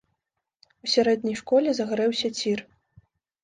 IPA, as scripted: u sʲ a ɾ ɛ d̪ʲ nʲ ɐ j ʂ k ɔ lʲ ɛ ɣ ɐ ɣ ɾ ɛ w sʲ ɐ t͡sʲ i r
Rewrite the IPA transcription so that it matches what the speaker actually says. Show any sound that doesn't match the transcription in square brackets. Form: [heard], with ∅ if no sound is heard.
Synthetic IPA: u sʲ a ɾ ɛ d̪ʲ nʲ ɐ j ʂ k ɔ lʲ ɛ [z] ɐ ɣ ɾ ɛ w sʲ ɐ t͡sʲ i r